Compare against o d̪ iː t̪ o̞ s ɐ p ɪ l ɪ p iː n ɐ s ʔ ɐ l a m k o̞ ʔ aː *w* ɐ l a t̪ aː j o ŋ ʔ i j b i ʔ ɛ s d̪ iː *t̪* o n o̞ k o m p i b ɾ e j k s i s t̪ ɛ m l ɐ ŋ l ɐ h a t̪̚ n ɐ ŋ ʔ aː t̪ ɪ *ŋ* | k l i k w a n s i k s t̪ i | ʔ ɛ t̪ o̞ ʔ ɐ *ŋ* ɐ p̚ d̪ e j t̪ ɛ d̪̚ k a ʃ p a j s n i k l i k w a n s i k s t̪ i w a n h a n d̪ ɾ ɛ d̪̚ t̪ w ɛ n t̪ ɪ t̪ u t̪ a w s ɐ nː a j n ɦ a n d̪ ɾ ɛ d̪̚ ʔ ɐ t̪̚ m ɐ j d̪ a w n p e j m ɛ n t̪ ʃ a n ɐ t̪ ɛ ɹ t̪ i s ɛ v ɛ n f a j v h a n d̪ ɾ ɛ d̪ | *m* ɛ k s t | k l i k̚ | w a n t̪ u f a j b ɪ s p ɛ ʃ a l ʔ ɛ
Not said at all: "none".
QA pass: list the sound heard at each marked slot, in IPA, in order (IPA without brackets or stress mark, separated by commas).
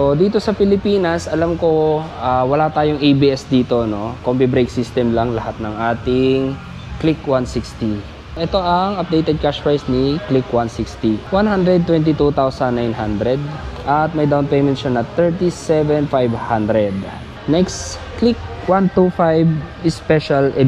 w, t̪, ŋ, ŋ, n